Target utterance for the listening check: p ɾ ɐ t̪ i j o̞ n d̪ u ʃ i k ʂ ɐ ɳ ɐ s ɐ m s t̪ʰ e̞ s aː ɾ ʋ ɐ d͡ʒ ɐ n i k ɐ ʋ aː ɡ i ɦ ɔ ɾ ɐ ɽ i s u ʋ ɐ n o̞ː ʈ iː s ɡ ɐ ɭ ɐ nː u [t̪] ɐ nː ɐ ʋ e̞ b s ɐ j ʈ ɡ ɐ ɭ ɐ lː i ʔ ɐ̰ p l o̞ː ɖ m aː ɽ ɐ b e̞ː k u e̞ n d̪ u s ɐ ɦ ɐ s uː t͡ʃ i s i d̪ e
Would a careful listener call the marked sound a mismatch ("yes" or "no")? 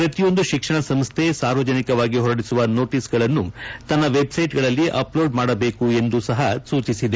no